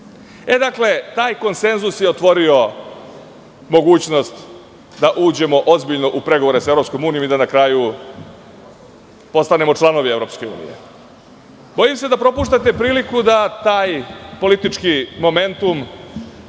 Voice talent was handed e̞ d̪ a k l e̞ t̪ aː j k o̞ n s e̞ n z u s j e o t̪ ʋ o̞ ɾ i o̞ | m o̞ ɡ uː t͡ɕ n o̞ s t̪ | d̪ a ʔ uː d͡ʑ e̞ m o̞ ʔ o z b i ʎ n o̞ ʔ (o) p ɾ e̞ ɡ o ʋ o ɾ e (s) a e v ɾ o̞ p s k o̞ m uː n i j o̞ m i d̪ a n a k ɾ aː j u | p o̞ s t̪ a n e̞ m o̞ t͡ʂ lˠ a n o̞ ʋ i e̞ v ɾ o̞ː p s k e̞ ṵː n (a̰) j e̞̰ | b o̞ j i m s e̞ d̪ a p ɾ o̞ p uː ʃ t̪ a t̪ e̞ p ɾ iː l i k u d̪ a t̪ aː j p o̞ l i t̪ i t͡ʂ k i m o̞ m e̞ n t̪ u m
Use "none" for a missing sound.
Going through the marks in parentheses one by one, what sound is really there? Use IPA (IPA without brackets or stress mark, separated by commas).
u, s, ḭ